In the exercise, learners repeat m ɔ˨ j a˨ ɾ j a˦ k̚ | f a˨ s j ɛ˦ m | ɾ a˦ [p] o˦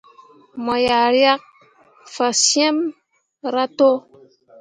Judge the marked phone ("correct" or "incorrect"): incorrect